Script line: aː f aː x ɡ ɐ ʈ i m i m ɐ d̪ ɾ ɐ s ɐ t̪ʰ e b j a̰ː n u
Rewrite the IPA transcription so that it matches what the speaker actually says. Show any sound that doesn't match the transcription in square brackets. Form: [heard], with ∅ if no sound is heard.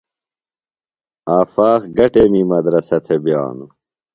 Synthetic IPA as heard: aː f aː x ɡ ɐ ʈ [e] m i m ɐ d̪ ɾ ɐ s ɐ t̪ʰ e b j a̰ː n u